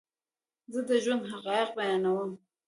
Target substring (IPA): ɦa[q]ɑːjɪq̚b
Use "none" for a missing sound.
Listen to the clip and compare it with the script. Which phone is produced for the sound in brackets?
q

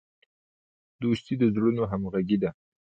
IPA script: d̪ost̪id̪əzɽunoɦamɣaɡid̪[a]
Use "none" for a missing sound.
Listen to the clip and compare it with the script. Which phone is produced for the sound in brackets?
a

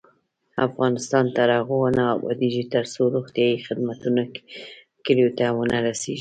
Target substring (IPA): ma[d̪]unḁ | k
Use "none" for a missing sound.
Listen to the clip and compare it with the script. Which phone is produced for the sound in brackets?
t̪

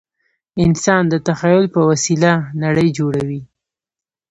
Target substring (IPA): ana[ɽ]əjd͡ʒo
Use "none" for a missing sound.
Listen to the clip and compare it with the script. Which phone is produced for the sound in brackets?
ɽ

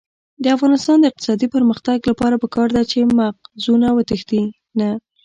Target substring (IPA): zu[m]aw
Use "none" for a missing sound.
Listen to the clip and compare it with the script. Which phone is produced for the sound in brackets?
n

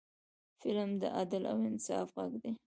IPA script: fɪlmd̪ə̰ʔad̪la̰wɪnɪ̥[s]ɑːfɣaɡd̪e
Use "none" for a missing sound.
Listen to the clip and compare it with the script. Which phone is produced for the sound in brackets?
s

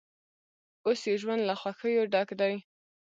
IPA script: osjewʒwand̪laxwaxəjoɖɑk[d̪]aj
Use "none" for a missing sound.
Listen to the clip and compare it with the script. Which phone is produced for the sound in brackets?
d̪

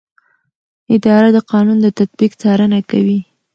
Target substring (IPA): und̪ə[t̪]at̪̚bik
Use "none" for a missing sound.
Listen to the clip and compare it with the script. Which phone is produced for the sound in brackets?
t̪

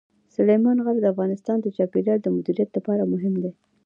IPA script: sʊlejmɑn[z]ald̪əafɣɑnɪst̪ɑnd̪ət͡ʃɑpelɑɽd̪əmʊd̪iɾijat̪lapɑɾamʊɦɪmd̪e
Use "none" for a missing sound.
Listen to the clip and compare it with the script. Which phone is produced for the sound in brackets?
ɣ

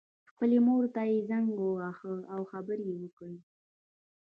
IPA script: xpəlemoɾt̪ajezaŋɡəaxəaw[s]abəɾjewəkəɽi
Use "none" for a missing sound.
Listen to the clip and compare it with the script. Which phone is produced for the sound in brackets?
x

